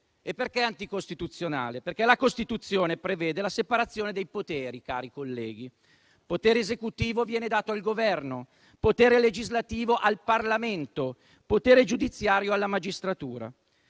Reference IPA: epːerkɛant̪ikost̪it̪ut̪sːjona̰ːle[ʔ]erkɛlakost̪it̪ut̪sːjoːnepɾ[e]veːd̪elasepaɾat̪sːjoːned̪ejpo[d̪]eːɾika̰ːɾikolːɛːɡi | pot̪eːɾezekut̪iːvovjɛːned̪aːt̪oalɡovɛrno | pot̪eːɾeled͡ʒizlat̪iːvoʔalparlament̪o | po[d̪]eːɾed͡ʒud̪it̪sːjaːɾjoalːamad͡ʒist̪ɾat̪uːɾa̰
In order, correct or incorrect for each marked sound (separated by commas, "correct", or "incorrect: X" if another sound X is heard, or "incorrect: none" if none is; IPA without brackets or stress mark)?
incorrect: p, correct, incorrect: t̪, incorrect: t̪